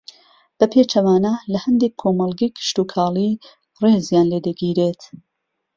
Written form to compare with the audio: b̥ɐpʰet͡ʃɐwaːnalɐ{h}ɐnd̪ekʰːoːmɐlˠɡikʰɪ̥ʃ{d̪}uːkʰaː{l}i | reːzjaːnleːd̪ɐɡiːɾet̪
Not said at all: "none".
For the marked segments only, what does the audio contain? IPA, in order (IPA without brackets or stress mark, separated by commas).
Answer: h, t̪, l